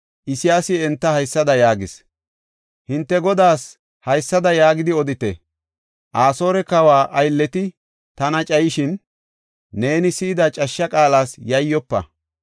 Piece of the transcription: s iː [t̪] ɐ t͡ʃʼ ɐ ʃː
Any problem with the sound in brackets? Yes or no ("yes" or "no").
yes